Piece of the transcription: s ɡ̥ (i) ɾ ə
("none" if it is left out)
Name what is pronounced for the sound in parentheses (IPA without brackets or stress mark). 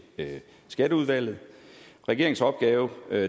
æ